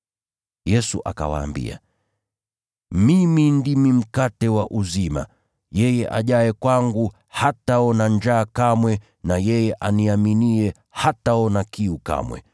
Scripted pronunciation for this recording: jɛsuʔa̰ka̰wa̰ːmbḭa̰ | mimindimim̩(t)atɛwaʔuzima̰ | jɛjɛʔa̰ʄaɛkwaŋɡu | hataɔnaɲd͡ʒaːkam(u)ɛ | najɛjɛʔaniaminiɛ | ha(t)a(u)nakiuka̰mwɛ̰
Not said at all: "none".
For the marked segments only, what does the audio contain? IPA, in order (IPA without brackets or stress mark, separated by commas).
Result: k, w, t, ɔ